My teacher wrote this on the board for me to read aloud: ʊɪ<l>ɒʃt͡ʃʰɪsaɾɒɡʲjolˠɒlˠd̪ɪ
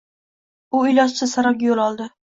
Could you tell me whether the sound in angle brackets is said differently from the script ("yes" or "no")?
no